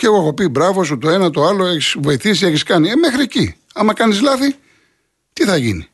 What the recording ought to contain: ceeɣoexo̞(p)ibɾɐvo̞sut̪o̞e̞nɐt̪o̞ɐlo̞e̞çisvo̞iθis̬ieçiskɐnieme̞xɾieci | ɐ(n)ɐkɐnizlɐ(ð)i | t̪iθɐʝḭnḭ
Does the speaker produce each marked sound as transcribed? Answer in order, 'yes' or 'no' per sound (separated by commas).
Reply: yes, no, no